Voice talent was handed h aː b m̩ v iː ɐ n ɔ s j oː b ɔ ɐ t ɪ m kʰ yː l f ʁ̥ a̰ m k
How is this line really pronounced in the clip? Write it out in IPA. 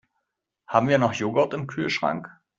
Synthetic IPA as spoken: h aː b m̩ v iː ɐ n ɔ χ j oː ɡ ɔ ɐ t ɪ m kʰ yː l ʃ ʁ̥ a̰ ŋ k